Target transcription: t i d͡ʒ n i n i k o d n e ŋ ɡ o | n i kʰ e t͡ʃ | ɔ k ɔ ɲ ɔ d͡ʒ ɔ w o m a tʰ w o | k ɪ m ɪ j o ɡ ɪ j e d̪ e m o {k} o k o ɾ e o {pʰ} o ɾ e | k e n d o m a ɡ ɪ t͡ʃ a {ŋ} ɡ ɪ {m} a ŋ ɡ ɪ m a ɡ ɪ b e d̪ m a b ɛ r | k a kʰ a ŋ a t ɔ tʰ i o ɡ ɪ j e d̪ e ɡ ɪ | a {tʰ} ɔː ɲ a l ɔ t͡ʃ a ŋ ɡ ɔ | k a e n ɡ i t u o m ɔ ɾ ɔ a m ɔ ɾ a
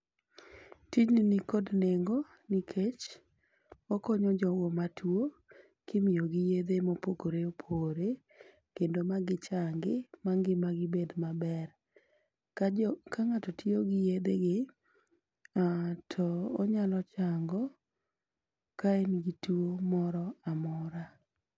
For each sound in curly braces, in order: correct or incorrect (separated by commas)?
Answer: incorrect, correct, correct, correct, correct